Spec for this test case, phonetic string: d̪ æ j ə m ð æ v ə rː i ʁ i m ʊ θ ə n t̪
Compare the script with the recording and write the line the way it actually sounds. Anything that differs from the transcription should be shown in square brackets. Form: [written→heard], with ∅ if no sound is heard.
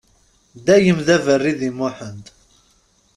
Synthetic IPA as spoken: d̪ æ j ə m ð æ v ə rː i [ʁ→ð] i m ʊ [θ→ħ] ə n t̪